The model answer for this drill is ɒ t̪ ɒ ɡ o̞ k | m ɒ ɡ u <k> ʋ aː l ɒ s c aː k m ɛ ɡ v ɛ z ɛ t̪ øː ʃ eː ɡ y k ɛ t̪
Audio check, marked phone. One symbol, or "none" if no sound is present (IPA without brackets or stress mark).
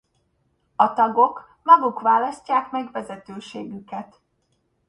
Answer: k